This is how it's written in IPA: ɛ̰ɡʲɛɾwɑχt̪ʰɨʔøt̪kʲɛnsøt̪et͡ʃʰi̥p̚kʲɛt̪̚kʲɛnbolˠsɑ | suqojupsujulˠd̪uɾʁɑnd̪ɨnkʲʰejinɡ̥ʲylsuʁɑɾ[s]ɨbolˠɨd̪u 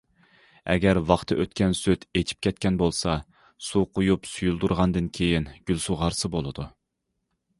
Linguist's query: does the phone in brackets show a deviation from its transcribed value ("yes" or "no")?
no